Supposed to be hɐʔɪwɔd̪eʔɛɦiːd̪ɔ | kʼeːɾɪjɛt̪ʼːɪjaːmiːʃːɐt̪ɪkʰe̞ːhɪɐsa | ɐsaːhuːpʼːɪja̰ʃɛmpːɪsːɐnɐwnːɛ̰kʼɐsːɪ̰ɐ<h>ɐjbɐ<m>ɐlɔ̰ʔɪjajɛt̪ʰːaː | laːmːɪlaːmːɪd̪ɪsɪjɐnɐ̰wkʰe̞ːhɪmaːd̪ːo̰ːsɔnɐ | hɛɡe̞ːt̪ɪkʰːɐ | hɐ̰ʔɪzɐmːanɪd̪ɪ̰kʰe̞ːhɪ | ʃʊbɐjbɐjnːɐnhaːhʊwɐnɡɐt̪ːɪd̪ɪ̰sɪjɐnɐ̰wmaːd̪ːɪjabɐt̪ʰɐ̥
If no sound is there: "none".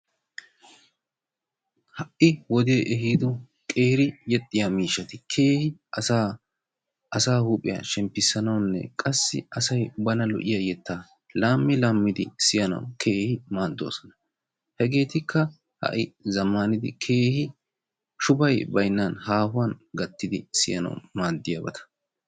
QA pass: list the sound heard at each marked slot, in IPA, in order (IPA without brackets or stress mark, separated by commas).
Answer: s, n